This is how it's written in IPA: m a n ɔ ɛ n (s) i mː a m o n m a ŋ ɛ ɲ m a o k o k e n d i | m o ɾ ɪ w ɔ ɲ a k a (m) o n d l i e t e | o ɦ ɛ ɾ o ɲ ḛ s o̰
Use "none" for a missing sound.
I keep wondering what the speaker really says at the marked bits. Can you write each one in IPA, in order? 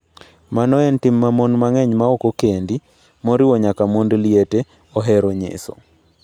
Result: t, m

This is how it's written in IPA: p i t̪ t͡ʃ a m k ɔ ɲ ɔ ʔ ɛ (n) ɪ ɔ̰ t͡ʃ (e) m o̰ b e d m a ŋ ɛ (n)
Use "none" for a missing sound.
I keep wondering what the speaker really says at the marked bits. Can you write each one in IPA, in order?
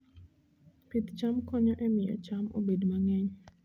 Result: m, a, ɲ

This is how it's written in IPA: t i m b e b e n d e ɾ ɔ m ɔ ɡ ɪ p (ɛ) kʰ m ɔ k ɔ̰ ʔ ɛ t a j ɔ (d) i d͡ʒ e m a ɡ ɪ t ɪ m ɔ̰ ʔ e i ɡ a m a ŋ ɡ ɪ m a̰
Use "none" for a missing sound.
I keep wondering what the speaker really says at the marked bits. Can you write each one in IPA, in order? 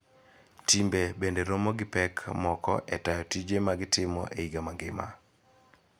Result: ɛ, t

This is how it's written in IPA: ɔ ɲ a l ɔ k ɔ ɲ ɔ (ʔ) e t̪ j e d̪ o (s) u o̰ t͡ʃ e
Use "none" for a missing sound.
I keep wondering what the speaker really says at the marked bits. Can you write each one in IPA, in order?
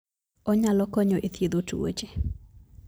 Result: ʔ, t

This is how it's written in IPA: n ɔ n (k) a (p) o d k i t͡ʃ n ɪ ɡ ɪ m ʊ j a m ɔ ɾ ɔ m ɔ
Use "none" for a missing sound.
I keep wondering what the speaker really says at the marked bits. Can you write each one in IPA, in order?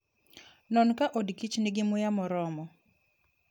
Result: k, ʔ

